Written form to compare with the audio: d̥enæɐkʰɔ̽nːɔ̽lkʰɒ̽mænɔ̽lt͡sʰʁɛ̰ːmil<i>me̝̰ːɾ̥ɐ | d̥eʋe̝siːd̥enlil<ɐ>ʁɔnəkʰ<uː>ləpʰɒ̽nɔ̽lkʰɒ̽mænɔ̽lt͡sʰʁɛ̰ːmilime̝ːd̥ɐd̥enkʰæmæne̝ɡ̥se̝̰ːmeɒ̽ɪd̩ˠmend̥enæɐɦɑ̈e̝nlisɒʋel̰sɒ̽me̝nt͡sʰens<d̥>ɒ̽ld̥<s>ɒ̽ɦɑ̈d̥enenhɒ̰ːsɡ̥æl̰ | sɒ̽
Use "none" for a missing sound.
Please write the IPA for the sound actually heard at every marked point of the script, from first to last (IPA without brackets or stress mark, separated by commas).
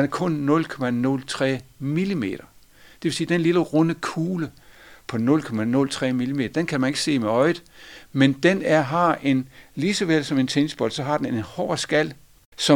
i, ə, uː, b̥, s